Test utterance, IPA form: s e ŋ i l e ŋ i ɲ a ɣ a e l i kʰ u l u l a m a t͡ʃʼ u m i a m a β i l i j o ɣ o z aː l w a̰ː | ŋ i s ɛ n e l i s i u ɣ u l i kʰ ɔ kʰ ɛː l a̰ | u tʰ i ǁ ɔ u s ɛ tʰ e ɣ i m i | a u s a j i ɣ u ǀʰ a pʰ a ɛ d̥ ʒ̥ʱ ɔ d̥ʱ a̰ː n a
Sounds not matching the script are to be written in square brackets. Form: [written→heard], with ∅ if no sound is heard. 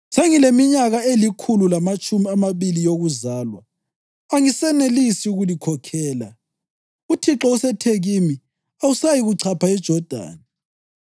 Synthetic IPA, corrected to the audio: s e ŋ i l e [ŋ→m] i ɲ a ɣ a e l i kʰ u l u l a m a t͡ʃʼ u m i a m a β i l i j o ɣ [o→u] z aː l w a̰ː | ŋ i s ɛ n e l i s i u ɣ u l i kʰ ɔ kʰ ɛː l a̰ | u tʰ i ǁ ɔ u s ɛ tʰ e ɣ i m i | a u s a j i ɣ u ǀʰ a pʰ a ɛ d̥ ʒ̥ʱ ɔ d̥ʱ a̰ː n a

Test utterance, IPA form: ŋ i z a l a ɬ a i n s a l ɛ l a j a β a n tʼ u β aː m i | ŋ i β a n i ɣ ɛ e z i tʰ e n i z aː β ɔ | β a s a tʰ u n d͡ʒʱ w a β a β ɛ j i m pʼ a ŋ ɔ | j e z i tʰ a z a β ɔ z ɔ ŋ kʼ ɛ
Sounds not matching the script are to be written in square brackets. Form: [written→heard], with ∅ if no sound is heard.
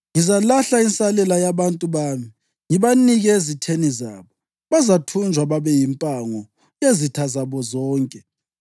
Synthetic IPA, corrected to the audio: ŋ i z a l a ɬ a i n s a l ɛ l a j a β a n tʼ u β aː m i | ŋ i β a n i ɣ ɛ e z i tʰ e n i z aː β ɔ | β a [s→z] a tʰ u n d͡ʒʱ w a β a β ɛ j i m pʼ a ŋ ɔ | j e z i tʰ a z a β ɔ z [ɔ→ɔː] ŋ kʼ ɛ

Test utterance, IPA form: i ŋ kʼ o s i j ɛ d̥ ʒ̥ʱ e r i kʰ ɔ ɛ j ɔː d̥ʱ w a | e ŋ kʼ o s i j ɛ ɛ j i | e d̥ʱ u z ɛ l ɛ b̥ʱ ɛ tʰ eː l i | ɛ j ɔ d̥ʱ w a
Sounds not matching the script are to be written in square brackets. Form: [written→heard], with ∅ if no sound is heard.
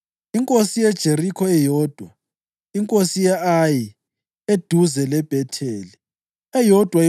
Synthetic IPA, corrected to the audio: i ŋ kʼ o s i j ɛ d̥ ʒ̥ʱ e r i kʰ ɔ ɛ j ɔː d̥ʱ w a | [e→i] ŋ kʼ o s i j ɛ [ɛ→a] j i | e d̥ʱ u z ɛ l ɛ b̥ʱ ɛ tʰ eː l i | ɛ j ɔ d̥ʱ w a

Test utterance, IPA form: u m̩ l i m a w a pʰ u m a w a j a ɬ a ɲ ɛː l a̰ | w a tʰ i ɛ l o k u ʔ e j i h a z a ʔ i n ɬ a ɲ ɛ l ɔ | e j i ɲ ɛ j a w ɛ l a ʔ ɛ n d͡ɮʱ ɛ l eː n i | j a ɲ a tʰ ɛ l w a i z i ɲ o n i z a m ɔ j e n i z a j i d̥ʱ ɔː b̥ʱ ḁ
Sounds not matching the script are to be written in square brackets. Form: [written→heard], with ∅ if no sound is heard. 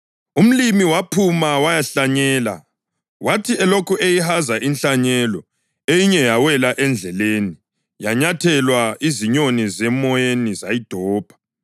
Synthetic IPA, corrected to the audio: u m̩ l i m [a→i] w a pʰ u m a w a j a ɬ a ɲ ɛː l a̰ | w a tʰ i ɛ l o k u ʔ e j i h a z a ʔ i n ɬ a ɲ ɛ l ɔ | e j i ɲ ɛ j a w ɛ l a ʔ ɛ n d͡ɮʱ ɛ l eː n i | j a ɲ a tʰ ɛ l w a i z i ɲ o n i z [a→ɛ] m ɔ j e n i z a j i d̥ʱ ɔː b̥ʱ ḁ

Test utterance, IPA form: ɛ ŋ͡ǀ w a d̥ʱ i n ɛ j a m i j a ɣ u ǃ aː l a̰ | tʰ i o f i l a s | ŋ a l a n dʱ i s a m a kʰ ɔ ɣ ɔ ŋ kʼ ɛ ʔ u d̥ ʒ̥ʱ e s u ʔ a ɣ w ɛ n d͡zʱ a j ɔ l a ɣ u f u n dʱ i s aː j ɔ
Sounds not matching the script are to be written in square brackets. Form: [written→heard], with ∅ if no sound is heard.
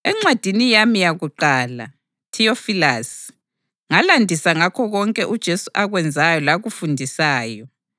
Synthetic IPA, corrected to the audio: ɛ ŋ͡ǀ w a d̥ʱ i n [ɛ→i] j a m i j a ɣ u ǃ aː l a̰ | tʰ i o f i l a s | ŋ a l a n dʱ i s a [m→ŋ] a kʰ ɔ ɣ ɔ ŋ kʼ ɛ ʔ u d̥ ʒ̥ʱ e s u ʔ a ɣ w ɛ n d͡zʱ a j ɔ l a ɣ u f u n dʱ i s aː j ɔ

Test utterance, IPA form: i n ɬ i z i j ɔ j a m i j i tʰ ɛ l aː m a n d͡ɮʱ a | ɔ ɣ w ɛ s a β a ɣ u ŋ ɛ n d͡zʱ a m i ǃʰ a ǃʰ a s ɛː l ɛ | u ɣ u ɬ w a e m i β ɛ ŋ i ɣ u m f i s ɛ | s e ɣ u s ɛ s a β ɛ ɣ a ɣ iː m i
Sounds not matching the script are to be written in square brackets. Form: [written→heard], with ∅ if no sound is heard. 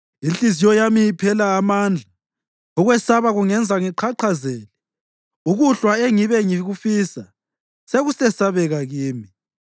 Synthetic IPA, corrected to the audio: i n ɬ i z i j ɔ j a m i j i [tʰ→pʰ] ɛ l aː m a n d͡ɮʱ a | ɔ ɣ w ɛ s a β a ɣ u ŋ ɛ n d͡zʱ a [m→ŋ] i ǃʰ a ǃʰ a [s→z] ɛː l ɛ | u ɣ u ɬ w a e [m→ŋ] i β ɛ ŋ i ɣ u [m→∅] f i s [ɛ→a] | s e ɣ u s ɛ s a β ɛ ɣ a ɣ iː m i

